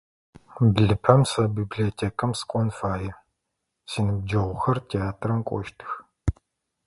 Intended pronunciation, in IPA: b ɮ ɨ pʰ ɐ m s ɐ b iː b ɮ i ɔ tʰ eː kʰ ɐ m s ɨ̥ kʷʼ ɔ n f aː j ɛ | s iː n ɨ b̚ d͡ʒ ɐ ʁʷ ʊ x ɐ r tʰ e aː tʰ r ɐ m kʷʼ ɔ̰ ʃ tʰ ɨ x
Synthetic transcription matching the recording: b ɮ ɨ pʰ ɐ m s ɐ b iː b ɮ i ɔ tʰ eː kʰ ɐ m s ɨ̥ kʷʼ ɔ n f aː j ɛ | s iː n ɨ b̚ d͡ʒ ɐ ʁʷ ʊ x ɐ r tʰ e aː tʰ r ɐ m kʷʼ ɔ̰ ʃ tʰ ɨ x